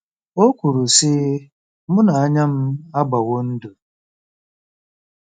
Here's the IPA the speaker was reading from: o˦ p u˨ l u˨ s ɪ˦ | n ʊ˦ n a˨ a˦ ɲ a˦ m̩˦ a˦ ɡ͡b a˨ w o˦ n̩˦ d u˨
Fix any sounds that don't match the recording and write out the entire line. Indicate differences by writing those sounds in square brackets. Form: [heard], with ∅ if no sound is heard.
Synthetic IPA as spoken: o˦ [k] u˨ [ɾ] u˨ s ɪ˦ | [m] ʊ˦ n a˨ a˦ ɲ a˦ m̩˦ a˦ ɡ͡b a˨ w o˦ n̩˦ d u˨